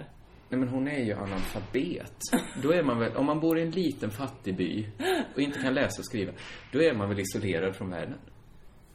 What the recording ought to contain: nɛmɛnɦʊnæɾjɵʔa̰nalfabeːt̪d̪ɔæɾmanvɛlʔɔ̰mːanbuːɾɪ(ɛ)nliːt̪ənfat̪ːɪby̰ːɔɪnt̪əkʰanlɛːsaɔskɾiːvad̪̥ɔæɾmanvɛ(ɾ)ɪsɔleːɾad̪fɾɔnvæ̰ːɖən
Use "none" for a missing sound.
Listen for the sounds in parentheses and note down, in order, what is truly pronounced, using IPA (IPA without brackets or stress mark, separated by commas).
ɛ, l